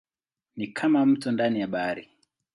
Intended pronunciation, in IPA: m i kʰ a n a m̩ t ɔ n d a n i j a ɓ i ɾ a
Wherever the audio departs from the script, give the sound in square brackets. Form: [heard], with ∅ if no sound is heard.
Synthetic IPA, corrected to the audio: [n] i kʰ a [m] a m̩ t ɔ n d a n i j a ɓ [a] ɾ [i]